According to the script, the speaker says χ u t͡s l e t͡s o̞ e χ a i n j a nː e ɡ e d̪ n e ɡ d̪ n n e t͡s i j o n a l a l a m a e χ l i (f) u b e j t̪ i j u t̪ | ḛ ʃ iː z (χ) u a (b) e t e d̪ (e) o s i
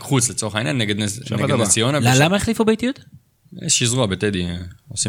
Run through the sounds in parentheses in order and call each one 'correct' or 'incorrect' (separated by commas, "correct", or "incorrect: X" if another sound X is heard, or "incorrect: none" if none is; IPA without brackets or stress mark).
correct, incorrect: ʁ, correct, incorrect: i